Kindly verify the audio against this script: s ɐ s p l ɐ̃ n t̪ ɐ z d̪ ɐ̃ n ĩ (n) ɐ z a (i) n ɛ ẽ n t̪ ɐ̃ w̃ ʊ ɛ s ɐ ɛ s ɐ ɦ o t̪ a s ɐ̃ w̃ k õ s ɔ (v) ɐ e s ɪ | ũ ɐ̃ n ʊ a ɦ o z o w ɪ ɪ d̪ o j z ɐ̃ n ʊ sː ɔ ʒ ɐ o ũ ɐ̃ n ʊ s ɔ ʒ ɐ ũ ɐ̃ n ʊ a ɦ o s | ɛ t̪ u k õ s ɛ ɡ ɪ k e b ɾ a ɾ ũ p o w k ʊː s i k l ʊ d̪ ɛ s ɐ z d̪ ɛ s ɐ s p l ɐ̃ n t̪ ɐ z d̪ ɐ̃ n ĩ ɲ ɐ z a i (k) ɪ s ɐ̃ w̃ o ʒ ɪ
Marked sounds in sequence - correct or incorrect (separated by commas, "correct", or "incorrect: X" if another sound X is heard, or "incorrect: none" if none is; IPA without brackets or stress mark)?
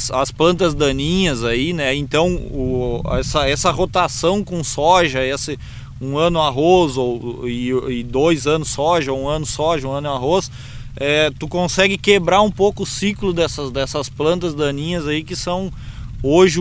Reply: incorrect: ɲ, correct, incorrect: ʒ, correct